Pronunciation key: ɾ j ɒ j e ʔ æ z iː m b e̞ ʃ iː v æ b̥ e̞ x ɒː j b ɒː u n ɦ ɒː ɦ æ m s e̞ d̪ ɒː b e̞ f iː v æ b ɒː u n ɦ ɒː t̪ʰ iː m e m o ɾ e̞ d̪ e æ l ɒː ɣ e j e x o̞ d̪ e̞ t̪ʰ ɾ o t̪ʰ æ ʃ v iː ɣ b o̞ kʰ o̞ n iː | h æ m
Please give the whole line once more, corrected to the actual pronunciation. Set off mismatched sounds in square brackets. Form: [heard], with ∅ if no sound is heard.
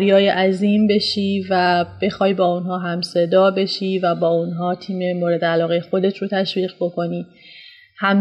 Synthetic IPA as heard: ɾ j [ɒː] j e ʔ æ z iː m b e̞ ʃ iː v æ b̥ e̞ x ɒː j b ɒː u n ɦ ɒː ɦ æ m s e̞ d̪ ɒː b e̞ [ʃ] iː v æ b ɒː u n ɦ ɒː t̪ʰ iː m e m o ɾ e̞ d̪ e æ l ɒː ɣ e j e x o̞ d̪ e̞ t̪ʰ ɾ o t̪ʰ æ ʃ v iː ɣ b o̞ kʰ o̞ n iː | h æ m